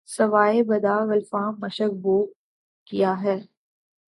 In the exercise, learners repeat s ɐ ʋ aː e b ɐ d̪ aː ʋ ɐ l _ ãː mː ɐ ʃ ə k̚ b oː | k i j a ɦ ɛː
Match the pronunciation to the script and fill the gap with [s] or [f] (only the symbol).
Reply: f